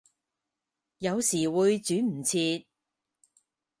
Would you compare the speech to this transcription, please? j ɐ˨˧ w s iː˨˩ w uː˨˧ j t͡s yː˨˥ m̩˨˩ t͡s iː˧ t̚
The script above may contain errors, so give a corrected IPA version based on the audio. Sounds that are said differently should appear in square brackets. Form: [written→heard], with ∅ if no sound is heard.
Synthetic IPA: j ɐ˨˧ w s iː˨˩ w uː˨˧ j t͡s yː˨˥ m̩˨˩ [t͡s→t͡sʰ] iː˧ t̚